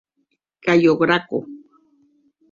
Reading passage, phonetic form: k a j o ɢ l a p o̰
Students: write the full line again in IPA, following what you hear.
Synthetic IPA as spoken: k a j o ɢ ɾ a k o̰